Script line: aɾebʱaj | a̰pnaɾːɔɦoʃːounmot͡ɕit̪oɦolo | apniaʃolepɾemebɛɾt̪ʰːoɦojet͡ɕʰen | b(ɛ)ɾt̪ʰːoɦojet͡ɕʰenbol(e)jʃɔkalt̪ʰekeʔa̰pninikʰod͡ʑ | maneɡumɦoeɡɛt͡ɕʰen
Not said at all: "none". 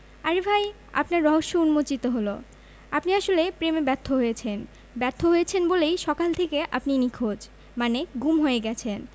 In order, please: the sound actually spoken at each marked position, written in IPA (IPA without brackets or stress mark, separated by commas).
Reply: ɛ, e